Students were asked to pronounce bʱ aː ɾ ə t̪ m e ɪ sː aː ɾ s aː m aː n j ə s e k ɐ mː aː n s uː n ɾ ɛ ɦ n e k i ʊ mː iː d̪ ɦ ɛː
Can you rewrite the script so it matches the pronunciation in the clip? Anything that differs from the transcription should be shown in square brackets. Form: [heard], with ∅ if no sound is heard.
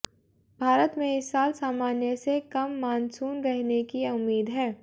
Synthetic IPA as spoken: bʱ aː ɾ ə t̪ m [ẽ] ɪ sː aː [l] s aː m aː n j ə s e k ɐ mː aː n s uː n ɾ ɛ ɦ n e k i ʊ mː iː d̪ ɦ ɛː